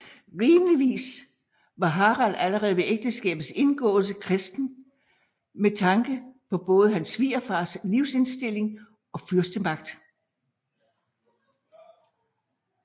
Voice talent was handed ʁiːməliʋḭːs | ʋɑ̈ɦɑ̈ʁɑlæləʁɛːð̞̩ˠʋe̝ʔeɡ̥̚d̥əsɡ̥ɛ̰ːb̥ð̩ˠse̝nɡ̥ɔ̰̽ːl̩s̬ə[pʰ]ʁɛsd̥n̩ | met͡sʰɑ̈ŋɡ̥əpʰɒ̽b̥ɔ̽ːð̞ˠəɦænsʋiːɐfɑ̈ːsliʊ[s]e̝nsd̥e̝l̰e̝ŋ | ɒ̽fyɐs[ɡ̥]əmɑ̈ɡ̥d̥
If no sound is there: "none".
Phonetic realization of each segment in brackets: kʰ, s, d̥

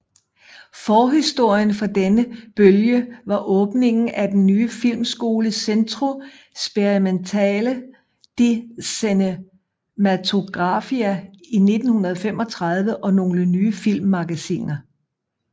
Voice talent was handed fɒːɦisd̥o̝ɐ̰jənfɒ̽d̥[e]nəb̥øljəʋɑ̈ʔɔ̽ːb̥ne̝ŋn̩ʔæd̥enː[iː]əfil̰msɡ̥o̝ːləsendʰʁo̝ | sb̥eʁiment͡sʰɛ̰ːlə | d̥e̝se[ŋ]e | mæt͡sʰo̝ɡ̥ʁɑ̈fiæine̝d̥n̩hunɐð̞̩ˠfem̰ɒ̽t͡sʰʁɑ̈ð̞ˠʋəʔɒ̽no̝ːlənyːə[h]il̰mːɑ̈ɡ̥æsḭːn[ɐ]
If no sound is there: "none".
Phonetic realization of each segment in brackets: e, yː, n, f, ɐ

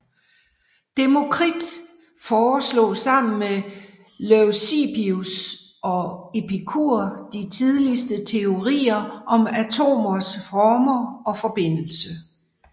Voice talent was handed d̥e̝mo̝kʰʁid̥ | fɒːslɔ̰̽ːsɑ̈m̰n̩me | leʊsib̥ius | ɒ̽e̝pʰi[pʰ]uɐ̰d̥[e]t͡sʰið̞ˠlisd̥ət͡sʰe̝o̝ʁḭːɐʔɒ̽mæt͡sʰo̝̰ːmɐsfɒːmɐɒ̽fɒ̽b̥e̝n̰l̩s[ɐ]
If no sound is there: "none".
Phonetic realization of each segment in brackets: kʰ, i, ə

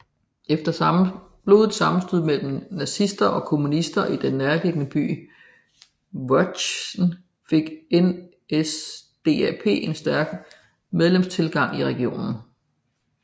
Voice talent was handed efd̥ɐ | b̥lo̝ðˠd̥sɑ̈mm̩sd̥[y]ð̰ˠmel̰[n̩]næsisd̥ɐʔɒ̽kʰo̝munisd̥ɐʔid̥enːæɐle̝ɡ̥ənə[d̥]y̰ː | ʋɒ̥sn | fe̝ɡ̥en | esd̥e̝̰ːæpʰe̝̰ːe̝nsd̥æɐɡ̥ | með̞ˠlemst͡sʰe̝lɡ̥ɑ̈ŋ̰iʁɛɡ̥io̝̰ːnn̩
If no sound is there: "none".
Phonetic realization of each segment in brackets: y, m̩, b̥

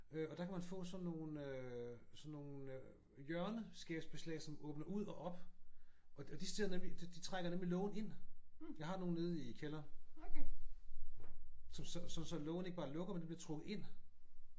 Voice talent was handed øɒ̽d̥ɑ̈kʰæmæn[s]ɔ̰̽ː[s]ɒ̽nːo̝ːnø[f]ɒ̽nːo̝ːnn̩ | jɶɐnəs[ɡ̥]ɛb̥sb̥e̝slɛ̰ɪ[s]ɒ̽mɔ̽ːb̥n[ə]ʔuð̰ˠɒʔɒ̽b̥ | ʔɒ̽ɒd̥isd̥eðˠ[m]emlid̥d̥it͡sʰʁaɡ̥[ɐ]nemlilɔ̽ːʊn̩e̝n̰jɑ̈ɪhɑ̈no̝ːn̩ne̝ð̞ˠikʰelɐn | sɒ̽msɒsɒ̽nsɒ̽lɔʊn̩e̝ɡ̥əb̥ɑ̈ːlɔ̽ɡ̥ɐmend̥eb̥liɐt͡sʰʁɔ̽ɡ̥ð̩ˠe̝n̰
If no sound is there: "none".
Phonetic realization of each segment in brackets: f, s, s, ɡ̥, s, ɐ, n, ɐ

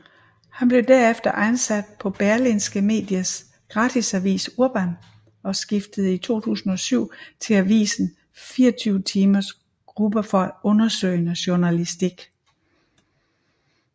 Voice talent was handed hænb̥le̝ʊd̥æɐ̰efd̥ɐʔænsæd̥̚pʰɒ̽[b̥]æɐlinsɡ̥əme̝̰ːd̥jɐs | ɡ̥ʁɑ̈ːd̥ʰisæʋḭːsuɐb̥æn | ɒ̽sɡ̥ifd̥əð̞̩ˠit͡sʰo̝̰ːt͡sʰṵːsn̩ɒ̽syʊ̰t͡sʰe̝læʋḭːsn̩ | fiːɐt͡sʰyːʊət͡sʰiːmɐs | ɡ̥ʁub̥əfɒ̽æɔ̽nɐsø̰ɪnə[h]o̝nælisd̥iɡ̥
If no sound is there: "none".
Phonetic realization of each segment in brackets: b̥, ɕ

